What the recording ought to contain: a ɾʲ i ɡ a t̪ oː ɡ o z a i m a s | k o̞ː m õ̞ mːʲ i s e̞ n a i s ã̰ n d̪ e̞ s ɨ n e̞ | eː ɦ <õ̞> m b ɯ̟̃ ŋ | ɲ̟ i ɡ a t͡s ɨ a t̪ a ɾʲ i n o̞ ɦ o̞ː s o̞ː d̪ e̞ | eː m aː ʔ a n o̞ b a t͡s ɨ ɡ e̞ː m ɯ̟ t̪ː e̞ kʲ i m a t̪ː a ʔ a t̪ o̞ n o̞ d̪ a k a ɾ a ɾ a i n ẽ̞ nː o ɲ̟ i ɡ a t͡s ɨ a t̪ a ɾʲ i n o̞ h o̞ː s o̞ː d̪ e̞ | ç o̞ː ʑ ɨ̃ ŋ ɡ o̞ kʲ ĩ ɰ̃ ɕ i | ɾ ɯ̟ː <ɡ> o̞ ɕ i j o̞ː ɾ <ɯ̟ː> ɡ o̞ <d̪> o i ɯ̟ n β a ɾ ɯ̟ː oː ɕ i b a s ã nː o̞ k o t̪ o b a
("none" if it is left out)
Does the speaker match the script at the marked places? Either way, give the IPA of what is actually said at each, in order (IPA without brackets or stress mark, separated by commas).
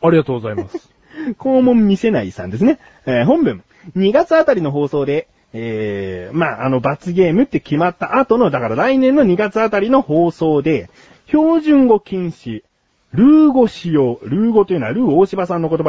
õ̞, ɡ, ɯ̟ː, t̪